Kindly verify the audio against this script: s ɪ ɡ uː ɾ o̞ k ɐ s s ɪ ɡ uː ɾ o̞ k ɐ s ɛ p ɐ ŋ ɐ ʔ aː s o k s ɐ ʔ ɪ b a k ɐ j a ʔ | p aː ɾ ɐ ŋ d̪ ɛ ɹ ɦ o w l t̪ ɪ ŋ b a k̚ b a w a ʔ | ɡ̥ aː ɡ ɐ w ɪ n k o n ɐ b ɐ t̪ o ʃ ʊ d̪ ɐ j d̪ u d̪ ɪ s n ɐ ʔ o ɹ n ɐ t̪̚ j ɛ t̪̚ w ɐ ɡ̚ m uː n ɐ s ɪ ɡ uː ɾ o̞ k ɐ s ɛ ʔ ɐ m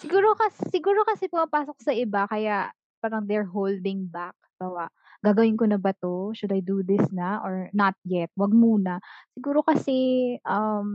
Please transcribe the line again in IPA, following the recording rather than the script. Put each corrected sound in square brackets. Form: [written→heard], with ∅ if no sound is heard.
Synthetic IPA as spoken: s ɪ ɡ uː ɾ o̞ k ɐ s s ɪ ɡ uː ɾ o̞ k ɐ s ɛ p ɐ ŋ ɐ [ʔ→p] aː s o k s ɐ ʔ ɪ b a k ɐ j a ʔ | p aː ɾ ɐ ŋ d̪ ɛ ɹ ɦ o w l [t̪→d̪] ɪ ŋ b a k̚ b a w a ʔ | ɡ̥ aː ɡ ɐ w ɪ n k o n ɐ b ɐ t̪ o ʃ ʊ d̪ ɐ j d̪ u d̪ ɪ s n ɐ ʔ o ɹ n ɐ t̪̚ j ɛ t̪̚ w ɐ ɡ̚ m uː n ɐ s ɪ ɡ uː ɾ o̞ k ɐ s ɛ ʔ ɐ m